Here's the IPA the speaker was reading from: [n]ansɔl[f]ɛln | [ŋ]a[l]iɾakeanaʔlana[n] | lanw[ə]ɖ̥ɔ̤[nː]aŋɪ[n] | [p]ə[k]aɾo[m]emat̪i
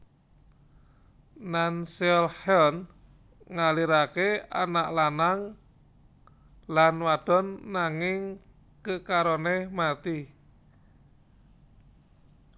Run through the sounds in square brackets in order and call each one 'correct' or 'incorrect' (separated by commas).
correct, incorrect, correct, correct, incorrect, incorrect, correct, incorrect, incorrect, correct, incorrect